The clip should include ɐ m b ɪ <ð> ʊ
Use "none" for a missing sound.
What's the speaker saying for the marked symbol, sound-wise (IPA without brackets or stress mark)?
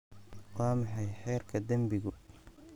ɣ